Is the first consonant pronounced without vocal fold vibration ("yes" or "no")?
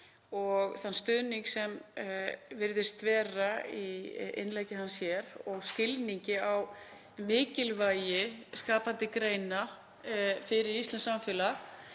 no